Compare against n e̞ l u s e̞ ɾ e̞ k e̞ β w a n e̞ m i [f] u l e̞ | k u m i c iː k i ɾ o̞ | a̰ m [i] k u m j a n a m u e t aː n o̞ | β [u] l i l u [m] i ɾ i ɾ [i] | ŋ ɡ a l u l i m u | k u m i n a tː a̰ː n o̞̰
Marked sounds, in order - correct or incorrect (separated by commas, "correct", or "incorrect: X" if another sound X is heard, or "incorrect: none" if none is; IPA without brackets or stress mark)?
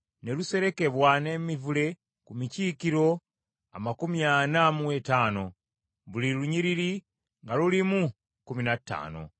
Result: incorrect: v, incorrect: a, correct, incorrect: ɲ, correct